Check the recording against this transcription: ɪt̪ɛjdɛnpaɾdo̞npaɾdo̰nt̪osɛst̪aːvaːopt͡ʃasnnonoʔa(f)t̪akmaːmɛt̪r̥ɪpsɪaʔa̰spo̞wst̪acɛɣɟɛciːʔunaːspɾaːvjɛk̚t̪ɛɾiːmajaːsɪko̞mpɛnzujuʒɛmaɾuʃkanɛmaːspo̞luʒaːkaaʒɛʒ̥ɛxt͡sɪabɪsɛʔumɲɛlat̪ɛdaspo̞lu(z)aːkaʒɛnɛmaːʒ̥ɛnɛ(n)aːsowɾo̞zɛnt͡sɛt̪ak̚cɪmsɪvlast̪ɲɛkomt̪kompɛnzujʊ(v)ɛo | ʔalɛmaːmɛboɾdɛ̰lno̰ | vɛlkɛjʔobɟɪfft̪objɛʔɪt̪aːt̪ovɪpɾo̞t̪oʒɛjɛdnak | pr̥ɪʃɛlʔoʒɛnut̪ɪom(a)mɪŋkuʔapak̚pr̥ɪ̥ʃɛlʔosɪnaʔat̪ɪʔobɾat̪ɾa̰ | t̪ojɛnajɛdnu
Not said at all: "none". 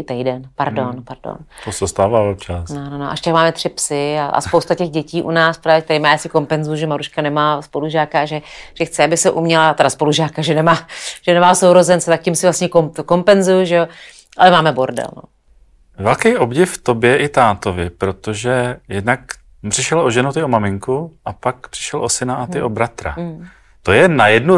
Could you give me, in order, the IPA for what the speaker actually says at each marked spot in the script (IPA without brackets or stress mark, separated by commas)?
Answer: ʃ, ʒ, m, ʒ, a